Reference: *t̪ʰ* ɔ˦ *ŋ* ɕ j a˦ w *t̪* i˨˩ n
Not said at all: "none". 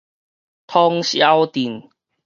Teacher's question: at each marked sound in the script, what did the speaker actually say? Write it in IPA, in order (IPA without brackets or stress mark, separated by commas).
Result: t̪ʰ, ŋ, t̪